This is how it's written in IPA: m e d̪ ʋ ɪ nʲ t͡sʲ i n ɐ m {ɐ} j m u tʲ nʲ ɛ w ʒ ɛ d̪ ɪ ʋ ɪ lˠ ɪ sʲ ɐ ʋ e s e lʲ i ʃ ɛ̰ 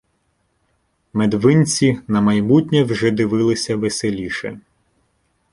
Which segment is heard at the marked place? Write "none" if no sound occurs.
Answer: ɐ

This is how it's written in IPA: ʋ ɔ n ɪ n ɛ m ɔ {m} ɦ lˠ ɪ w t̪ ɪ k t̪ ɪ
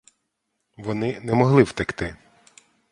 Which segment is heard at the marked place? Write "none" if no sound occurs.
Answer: none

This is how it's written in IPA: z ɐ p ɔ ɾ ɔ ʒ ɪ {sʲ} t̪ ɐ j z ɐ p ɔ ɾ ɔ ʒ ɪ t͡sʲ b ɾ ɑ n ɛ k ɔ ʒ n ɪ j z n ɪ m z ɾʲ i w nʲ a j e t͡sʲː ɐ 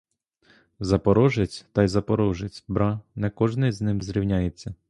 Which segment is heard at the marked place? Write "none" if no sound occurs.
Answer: t͡sʲ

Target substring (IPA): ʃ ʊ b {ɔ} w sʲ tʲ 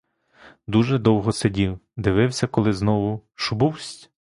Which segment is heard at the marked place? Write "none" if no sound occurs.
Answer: u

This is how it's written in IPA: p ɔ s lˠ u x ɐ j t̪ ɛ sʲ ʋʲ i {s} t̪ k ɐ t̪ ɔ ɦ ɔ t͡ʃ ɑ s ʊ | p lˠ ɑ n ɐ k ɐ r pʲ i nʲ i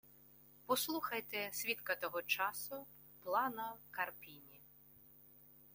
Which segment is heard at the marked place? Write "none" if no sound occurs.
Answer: none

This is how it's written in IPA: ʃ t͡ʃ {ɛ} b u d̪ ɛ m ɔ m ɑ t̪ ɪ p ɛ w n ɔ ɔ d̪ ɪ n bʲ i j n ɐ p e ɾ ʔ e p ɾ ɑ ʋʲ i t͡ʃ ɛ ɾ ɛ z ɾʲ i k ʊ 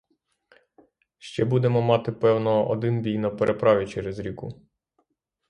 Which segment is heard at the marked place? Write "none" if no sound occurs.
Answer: ɛ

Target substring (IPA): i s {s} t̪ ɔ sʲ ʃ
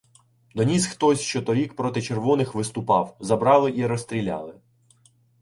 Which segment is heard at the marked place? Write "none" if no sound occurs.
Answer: x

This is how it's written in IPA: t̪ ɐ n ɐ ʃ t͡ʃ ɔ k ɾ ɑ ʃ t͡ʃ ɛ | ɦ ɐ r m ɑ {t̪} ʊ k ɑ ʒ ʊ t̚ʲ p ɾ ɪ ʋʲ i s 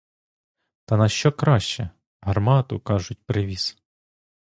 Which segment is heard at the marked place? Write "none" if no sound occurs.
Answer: t̪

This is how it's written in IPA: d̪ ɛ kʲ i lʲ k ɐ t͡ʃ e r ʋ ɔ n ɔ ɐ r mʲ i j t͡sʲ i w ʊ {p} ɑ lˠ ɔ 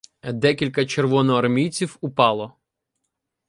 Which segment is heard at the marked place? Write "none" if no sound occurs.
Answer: p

